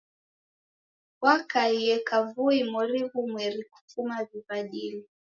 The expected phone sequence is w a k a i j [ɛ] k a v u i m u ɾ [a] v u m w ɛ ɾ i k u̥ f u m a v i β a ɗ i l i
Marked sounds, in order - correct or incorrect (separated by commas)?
correct, incorrect